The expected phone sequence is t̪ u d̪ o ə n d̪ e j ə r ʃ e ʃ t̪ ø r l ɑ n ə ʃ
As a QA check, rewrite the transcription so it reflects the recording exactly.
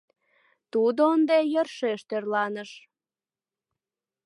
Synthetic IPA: t̪ u d̪ o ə n d̪ e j ə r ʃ e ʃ t̪ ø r l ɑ n ə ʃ